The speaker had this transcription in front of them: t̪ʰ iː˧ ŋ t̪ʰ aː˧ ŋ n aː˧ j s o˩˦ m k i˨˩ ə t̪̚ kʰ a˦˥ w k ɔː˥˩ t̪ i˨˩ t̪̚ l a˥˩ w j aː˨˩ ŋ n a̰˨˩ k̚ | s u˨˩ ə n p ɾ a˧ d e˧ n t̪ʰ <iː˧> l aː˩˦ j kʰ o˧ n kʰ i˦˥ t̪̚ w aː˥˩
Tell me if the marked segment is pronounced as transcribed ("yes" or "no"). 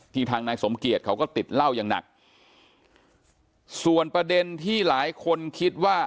no